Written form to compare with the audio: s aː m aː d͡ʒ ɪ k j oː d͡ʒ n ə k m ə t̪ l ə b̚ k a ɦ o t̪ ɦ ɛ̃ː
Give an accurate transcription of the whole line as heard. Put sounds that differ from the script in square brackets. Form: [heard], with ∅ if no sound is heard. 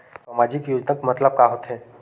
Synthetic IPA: s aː m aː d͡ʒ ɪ k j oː d͡ʒ n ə k m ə t̪ l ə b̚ k a ɦ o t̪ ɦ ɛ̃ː